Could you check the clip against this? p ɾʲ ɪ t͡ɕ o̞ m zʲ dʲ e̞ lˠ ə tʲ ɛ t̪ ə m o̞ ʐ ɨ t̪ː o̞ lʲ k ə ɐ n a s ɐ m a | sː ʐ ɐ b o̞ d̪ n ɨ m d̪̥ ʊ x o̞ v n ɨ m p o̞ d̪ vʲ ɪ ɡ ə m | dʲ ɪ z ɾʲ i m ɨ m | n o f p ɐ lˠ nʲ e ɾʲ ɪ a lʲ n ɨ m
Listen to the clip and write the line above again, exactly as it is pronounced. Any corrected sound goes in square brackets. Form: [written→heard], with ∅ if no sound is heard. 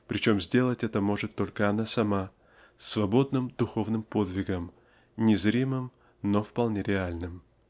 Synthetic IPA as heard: p ɾʲ ɪ t͡ɕ o̞ m zʲ dʲ e̞ lˠ ə tʲ ɛ t̪ ə m o̞ ʐ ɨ t̪ː o̞ lʲ k ə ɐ n a s ɐ m a | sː [ʐ→v] ɐ b o̞ d̪ n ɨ m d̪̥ ʊ x o̞ v n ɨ m p o̞ d̪ vʲ ɪ ɡ ə m | [dʲ→nʲ] ɪ z ɾʲ i m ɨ m | n o f p ɐ lˠ nʲ e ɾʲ ɪ a lʲ n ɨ m